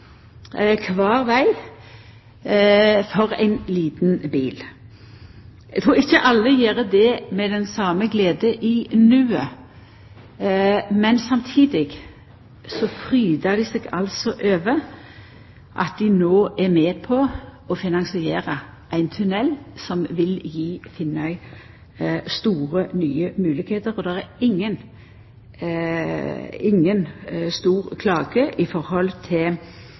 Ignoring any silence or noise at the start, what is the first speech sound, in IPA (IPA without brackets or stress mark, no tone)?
kʰ